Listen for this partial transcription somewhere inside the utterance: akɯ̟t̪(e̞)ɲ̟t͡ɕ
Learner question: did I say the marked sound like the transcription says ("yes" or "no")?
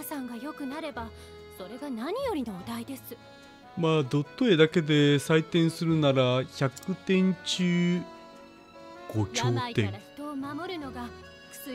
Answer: no